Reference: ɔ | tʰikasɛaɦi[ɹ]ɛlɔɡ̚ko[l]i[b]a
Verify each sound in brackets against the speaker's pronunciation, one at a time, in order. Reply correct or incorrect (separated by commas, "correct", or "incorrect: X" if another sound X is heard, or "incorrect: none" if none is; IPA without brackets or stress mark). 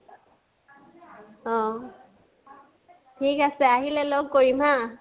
incorrect: l, incorrect: ɹ, incorrect: m